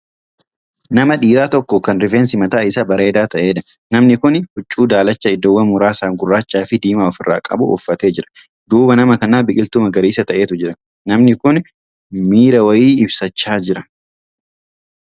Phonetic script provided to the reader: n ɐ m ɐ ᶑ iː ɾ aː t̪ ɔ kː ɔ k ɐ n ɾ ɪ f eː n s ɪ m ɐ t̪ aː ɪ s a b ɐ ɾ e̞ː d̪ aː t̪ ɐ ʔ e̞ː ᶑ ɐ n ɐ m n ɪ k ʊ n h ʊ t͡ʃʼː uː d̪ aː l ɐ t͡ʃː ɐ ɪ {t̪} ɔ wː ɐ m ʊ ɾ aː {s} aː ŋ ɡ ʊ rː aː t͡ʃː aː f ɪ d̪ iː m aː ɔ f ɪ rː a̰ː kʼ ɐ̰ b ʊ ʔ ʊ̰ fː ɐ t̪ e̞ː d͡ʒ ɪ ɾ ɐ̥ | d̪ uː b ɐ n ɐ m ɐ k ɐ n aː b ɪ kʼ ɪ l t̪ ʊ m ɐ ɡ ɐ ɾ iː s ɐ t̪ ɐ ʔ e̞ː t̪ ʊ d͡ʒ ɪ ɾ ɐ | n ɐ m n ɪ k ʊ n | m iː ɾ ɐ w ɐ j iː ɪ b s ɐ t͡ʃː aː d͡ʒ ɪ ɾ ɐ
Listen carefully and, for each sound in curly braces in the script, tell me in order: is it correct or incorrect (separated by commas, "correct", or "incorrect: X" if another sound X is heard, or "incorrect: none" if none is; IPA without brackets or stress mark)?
incorrect: d̪, correct